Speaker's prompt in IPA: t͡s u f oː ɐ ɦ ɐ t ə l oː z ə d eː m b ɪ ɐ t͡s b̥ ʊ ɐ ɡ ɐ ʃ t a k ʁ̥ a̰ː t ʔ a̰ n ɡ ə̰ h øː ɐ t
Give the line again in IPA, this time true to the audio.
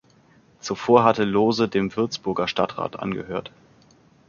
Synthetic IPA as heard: t͡s u f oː ɐ ɦ a t ə l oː z ə d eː m v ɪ ɐ t͡s b̥ ʊ ɐ ɡ ɐ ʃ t a t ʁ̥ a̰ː t ʔ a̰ n ɡ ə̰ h øː ɐ t